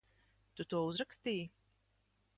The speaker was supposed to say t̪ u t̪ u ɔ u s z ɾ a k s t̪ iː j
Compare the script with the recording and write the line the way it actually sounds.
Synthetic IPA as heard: t̪ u t̪ u ɔ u z ɾ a k s t̪ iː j